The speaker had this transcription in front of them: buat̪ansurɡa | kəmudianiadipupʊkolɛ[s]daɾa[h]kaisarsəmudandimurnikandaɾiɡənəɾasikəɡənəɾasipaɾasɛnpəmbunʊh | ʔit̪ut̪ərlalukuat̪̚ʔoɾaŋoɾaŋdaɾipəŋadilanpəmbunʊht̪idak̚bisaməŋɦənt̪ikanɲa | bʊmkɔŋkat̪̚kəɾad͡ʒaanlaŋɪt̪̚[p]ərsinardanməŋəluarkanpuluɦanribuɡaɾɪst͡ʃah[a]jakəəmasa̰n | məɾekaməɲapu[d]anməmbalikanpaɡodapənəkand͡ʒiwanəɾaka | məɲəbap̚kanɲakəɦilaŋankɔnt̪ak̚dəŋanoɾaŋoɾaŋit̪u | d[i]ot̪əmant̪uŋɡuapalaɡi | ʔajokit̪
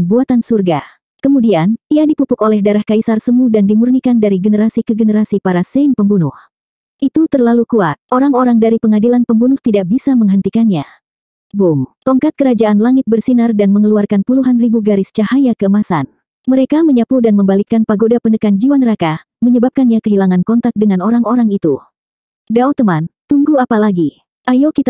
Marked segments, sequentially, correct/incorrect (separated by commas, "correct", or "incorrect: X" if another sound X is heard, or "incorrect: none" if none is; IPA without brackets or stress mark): incorrect: h, correct, incorrect: b, correct, correct, incorrect: a